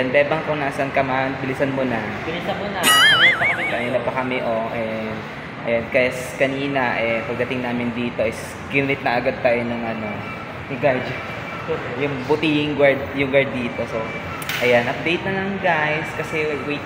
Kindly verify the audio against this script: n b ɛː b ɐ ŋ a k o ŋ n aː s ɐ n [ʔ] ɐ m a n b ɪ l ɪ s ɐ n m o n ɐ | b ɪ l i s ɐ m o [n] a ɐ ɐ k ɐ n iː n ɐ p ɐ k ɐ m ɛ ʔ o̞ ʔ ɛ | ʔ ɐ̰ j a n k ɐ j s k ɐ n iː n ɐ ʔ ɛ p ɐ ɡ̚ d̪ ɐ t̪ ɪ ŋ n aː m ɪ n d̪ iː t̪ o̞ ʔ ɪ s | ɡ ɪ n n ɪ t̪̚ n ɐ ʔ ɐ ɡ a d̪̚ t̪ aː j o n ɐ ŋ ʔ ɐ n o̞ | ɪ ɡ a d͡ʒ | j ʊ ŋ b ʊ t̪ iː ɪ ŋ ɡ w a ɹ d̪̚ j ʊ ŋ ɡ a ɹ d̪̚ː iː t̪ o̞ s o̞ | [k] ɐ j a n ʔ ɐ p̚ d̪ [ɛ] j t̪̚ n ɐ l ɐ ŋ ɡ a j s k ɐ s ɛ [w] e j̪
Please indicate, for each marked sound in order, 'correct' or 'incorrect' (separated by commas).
incorrect, correct, incorrect, incorrect, correct